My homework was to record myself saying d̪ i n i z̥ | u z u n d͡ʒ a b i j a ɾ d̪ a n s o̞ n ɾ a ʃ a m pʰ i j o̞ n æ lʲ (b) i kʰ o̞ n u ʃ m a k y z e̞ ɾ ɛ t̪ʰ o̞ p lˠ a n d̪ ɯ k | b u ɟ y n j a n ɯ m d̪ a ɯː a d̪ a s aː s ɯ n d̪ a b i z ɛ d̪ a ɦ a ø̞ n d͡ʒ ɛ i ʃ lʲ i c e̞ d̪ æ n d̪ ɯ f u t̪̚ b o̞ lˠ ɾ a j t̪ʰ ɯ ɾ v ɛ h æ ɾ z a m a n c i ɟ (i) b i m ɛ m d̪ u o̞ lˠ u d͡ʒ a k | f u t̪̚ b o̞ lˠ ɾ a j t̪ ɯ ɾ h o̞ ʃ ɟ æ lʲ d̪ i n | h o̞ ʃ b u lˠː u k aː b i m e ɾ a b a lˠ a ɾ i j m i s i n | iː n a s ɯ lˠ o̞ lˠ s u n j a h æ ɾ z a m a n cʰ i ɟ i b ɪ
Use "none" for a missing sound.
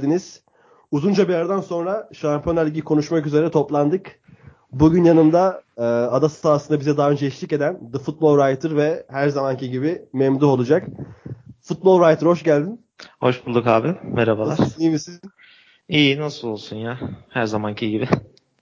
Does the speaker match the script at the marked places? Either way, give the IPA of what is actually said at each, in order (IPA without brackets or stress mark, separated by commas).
ɟ, i